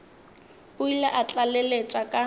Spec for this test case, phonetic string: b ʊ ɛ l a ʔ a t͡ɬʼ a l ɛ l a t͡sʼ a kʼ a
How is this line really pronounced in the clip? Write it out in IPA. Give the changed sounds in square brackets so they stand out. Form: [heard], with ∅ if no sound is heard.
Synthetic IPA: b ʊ [i] l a ʔ a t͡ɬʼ a l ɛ l [e] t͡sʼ a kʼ a